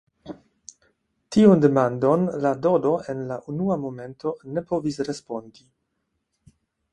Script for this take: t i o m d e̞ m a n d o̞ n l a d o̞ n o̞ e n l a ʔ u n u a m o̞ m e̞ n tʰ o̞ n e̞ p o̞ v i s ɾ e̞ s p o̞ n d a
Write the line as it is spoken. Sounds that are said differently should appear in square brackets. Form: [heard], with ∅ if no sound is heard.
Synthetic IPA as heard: t i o [n] d e̞ m a n d o̞ n l a d o̞ [d] o̞ e n l a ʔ u n u a m o̞ m e̞ n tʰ o̞ n e̞ p o̞ v i s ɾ e̞ s p o̞ n d [i]